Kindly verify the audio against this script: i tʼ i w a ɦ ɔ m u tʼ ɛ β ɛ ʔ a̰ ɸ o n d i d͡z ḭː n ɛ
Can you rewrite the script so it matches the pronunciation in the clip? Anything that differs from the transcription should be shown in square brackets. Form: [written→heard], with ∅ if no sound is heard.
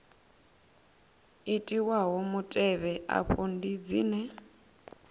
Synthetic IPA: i tʼ i w a ɦ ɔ m u tʼ ɛ β ɛ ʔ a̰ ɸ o n d i d͡z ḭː n ɛ